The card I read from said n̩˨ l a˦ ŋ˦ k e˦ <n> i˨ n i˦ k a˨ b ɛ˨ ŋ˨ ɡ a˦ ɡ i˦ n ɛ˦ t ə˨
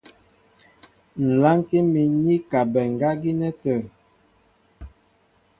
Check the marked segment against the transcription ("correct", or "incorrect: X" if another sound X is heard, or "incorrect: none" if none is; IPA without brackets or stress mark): incorrect: m